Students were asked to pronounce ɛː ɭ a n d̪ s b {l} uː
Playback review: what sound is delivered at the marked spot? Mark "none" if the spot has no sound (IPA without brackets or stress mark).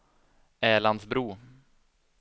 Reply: ɾ